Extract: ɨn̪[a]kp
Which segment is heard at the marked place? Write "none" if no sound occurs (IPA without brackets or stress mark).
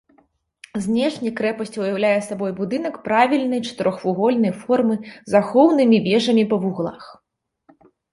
ɐ